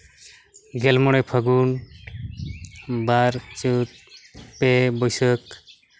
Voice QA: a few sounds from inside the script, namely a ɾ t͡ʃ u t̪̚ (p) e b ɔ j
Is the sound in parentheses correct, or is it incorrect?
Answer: correct